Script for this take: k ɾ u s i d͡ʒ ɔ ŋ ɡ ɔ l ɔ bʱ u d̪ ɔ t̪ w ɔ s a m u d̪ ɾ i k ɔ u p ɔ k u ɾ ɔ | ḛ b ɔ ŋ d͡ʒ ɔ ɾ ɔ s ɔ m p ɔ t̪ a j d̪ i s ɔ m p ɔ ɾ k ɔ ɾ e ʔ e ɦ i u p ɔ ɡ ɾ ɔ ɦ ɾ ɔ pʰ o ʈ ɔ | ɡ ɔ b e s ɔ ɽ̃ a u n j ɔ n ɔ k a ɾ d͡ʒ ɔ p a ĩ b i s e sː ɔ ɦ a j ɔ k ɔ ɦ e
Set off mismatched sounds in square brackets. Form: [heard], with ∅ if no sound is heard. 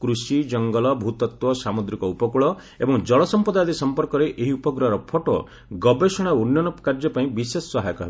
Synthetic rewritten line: k ɾ u s i d͡ʒ ɔ ŋ ɡ ɔ l ɔ bʱ u [t̪] ɔ t̪ w ɔ s a m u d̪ ɾ i k ɔ u p ɔ k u [ɭ] ɔ | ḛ b ɔ ŋ d͡ʒ ɔ [ɭ] ɔ s ɔ m p ɔ [d̪] a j d̪ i s ɔ m p ɔ ɾ k ɔ ɾ e ʔ e ɦ i u p ɔ ɡ ɾ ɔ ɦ ɾ ɔ pʰ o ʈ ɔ | ɡ ɔ b e s ɔ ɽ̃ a u n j ɔ n ɔ k a ɾ d͡ʒ ɔ p a ĩ b i s e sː ɔ ɦ a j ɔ k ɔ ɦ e